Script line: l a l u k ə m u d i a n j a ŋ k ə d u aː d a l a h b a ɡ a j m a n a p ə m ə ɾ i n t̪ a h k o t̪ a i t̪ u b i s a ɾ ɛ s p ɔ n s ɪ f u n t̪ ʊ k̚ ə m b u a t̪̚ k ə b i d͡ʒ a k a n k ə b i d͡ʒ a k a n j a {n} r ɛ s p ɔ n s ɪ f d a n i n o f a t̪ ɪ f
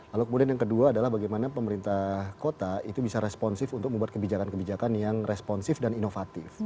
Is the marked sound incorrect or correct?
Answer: incorrect